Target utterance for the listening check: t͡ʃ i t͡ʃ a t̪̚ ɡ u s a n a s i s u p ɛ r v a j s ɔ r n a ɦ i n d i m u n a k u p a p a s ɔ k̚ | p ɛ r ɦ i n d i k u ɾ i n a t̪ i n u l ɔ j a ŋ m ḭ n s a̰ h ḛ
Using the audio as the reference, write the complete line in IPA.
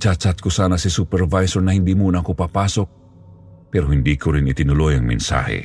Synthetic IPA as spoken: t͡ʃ a t͡ʃ a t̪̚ k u s a n a s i s u p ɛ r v a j s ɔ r n a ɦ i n d i m u n a k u p a p a s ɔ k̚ | p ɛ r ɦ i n d i k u ɾ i n i t̪ i n u l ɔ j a ŋ m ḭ n s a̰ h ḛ